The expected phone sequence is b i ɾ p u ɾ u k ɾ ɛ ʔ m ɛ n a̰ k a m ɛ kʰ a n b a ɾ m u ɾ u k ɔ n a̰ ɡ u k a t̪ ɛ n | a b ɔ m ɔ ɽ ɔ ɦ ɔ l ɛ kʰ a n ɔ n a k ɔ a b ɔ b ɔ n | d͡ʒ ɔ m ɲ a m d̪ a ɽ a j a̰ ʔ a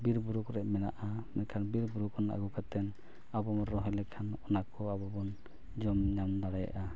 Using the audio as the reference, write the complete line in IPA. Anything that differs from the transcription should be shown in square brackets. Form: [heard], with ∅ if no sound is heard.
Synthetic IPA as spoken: b i ɾ [b] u ɾ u k ɾ ɛ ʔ m ɛ n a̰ [ʔ] a m ɛ kʰ a n b [i] ɾ [b] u ɾ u k ɔ n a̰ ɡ u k a t̪ ɛ n | a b ɔ m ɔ [ɾ] ɔ ɦ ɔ l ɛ kʰ a n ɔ n a k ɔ a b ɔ b ɔ n | d͡ʒ ɔ m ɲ a m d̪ a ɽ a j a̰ ʔ a